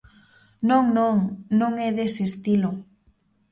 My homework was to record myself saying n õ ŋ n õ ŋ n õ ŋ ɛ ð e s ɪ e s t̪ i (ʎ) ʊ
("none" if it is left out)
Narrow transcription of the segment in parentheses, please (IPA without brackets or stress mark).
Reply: l